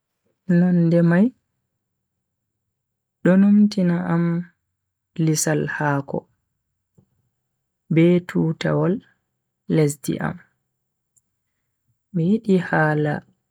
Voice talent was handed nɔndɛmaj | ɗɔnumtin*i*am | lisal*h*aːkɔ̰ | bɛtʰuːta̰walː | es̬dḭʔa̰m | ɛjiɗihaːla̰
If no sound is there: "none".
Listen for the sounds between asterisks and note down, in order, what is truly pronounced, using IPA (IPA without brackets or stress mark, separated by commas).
a, h